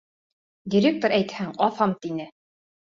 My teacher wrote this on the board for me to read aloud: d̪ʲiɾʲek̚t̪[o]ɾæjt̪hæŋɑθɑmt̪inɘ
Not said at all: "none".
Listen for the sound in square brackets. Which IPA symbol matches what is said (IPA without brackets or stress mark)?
o